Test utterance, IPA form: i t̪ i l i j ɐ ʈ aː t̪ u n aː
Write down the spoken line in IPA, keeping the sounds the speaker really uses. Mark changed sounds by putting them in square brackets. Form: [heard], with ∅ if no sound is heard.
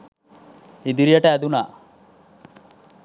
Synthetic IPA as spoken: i [d̪] i [ɾ] i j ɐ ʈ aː [d̪] u n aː